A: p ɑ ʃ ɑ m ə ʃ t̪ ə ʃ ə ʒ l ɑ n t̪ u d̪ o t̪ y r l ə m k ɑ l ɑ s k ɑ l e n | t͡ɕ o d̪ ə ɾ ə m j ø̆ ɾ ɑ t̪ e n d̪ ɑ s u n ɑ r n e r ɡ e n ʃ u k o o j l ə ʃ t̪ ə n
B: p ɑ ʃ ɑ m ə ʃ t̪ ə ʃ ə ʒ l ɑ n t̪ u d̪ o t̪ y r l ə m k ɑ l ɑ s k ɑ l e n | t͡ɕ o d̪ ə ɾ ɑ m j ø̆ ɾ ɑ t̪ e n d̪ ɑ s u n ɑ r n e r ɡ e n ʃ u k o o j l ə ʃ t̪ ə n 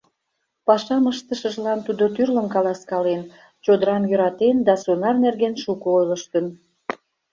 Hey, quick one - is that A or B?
B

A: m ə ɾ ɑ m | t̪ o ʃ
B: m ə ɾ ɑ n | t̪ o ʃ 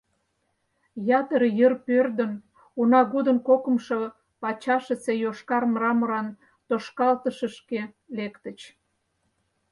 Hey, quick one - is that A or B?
B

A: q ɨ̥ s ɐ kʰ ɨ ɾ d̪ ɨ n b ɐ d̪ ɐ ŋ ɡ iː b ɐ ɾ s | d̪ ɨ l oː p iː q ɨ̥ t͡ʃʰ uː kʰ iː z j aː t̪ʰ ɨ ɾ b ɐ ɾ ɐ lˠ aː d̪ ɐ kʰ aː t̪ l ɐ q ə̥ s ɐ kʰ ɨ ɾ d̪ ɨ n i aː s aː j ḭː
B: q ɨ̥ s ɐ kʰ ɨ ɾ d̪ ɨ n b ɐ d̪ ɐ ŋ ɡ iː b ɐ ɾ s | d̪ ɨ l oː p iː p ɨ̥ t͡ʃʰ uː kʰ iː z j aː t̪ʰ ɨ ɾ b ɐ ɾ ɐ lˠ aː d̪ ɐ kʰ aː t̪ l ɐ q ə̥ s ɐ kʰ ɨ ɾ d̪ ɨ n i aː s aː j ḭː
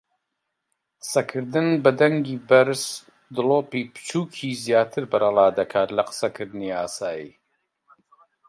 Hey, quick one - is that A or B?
B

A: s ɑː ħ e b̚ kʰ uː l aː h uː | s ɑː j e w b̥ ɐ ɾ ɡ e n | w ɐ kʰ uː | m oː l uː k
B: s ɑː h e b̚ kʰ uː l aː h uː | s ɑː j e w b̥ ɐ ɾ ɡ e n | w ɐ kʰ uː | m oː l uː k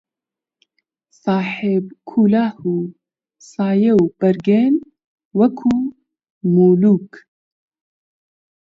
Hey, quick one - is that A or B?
A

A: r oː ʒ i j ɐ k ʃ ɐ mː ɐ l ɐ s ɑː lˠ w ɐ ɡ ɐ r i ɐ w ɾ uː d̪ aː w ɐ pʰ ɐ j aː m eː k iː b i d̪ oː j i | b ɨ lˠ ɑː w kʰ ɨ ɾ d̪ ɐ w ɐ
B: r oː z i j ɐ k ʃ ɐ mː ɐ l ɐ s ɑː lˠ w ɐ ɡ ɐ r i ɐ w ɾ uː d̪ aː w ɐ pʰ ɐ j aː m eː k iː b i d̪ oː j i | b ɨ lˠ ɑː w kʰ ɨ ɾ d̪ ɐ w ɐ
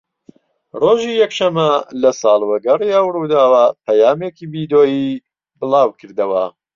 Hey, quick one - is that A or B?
A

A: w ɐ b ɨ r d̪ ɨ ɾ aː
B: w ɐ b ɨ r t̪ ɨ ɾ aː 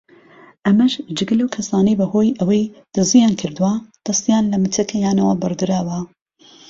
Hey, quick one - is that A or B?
A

